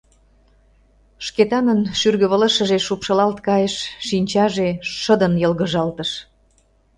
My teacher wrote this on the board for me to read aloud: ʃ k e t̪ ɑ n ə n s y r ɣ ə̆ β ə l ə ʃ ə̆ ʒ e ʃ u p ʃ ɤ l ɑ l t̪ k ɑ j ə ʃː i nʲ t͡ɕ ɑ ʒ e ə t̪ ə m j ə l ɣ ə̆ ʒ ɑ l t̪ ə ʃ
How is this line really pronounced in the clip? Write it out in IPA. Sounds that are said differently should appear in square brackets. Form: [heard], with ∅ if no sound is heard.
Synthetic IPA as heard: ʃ k e t̪ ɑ n ə n [ʃ] y r ɣ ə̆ β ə l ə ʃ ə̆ ʒ e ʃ u p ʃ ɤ l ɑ l t̪ k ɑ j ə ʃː i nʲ t͡ɕ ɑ ʒ e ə [d̪] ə [n] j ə l ɣ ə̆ ʒ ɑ l t̪ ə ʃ

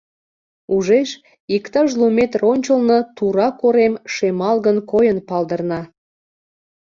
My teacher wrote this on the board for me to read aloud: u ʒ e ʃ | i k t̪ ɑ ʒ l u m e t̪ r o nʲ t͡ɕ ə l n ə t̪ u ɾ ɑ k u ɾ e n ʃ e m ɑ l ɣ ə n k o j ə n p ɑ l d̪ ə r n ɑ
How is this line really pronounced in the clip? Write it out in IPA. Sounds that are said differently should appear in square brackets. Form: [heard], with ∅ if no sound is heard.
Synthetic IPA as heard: u ʒ e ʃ | i k t̪ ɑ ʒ l u m e t̪ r o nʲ t͡ɕ ə l n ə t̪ u ɾ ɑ k [o] ɾ e [m] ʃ e m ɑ l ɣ ə n k o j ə n p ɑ l d̪ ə r n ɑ

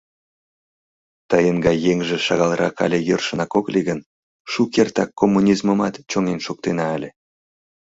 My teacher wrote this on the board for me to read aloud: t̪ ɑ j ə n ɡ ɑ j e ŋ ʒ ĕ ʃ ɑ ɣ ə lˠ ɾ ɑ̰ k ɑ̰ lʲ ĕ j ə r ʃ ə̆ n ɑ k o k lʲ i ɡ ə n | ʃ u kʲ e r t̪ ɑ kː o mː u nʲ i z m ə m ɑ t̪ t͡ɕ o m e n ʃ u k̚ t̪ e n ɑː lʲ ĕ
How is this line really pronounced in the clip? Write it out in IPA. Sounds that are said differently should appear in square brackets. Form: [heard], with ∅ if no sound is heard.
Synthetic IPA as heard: t̪ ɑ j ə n ɡ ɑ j e ŋ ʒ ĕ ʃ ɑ ɣ [ɑ] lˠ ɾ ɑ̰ k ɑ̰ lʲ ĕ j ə r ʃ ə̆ n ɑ k o k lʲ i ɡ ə n | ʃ u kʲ e r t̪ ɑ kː o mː u nʲ i z m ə m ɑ t̪ t͡ɕ o [ŋ] e n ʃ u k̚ t̪ e n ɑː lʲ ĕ

